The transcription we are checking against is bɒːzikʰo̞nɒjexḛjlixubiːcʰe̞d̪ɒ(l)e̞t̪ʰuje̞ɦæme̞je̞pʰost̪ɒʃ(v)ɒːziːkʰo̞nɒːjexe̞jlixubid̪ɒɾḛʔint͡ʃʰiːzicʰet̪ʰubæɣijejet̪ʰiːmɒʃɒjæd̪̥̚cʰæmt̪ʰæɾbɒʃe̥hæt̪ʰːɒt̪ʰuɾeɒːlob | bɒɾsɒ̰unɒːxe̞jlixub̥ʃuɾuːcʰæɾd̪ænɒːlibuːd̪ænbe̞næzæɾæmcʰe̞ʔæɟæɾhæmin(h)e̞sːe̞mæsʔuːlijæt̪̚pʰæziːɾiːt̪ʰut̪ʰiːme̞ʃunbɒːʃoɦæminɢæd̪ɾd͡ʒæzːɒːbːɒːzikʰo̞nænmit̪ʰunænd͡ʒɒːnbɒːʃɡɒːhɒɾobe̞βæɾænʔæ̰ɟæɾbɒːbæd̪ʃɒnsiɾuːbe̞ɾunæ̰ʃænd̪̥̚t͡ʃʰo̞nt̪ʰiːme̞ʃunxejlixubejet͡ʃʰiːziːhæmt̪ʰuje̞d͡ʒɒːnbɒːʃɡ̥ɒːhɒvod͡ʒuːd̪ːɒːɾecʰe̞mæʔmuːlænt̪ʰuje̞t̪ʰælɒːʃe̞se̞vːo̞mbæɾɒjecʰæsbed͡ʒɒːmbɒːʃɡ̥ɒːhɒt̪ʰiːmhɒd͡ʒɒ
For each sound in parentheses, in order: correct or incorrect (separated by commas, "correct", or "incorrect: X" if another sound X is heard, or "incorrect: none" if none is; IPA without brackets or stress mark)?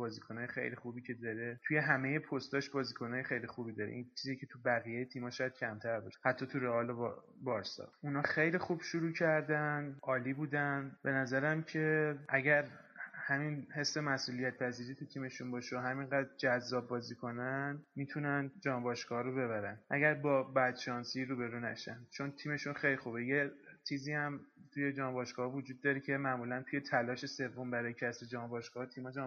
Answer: incorrect: ɾ, incorrect: b, correct